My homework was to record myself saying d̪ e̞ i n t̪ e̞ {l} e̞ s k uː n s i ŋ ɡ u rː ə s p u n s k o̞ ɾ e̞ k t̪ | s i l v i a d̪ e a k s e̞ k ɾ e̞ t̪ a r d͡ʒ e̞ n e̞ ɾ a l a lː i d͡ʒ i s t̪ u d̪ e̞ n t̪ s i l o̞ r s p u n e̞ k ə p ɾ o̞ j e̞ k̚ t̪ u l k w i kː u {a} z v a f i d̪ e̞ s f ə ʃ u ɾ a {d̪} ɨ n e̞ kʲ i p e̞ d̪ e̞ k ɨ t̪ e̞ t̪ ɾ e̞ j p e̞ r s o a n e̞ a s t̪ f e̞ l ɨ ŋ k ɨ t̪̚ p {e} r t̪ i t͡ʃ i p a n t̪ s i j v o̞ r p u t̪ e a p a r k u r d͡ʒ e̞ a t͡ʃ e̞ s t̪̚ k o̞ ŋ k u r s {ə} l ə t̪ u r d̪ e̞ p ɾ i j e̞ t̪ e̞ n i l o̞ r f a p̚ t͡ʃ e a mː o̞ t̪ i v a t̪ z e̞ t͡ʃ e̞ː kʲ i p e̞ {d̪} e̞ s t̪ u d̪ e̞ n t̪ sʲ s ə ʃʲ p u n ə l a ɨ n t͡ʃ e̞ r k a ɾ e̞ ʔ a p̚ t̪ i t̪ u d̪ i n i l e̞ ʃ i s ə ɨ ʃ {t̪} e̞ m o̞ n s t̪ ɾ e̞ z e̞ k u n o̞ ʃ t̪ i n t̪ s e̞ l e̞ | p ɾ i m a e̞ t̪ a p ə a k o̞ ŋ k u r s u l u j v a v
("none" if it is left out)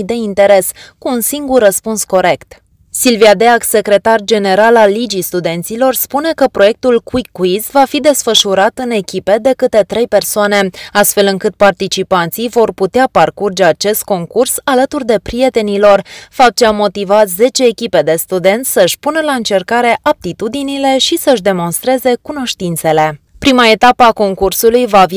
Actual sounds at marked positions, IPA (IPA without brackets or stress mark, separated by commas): ɾ, i, t̪, a, a, d̪, d̪